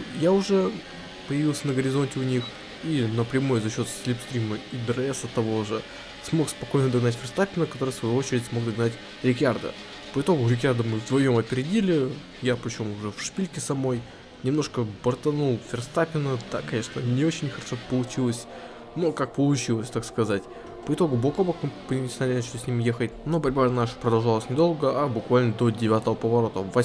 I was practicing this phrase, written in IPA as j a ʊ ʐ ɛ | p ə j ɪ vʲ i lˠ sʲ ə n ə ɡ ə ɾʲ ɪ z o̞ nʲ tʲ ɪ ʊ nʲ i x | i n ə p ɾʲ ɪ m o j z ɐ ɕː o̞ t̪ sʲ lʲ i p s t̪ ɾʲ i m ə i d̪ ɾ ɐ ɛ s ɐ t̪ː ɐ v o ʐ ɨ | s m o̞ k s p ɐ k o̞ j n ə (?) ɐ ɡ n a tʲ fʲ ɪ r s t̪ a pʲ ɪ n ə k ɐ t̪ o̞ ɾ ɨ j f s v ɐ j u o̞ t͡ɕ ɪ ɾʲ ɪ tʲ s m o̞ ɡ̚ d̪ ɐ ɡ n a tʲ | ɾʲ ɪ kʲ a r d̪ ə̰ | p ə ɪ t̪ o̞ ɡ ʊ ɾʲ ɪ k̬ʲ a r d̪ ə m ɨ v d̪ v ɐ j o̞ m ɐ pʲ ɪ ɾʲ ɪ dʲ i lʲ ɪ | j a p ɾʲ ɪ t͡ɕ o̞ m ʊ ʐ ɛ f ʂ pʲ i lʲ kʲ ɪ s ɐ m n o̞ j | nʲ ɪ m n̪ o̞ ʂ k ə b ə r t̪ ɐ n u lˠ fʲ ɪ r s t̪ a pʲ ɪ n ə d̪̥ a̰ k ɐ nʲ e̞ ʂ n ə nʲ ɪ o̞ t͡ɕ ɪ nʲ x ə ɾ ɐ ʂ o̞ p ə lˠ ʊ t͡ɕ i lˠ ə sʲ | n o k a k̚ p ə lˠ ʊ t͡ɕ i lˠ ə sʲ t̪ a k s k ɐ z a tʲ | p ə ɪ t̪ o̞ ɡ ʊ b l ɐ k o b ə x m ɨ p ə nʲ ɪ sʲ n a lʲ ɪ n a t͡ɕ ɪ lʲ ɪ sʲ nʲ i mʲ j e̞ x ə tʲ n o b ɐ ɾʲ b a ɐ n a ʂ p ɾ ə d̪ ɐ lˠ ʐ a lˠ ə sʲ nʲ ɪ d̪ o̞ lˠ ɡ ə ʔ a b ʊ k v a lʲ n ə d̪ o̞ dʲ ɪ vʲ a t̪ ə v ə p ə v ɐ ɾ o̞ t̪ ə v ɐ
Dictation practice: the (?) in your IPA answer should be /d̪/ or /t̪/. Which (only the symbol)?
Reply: d̪